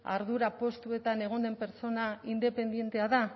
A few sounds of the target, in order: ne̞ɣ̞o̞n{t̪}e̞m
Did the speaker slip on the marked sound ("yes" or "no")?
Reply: yes